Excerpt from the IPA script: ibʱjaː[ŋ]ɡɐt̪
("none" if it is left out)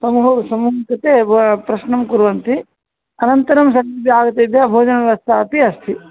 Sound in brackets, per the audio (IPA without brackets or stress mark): none